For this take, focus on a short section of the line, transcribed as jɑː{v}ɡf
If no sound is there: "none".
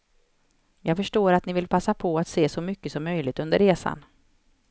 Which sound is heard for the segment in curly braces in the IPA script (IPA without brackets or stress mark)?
none